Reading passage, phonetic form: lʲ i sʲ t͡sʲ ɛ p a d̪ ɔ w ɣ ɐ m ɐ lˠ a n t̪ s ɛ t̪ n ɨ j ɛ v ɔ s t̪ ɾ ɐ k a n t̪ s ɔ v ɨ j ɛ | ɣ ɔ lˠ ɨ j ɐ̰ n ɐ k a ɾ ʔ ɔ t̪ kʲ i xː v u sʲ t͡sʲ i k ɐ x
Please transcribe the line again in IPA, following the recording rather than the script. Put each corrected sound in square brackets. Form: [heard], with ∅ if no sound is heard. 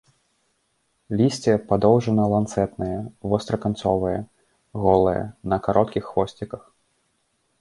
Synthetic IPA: lʲ i sʲ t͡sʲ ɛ p a d̪ ɔ w [ʐ] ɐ [n] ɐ lˠ a n t̪ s ɛ t̪ n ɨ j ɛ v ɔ s t̪ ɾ ɐ k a n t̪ s ɔ v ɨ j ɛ | ɣ ɔ lˠ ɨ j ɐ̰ n ɐ k a ɾ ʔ ɔ t̪ kʲ i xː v [ɔ] sʲ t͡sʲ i k ɐ x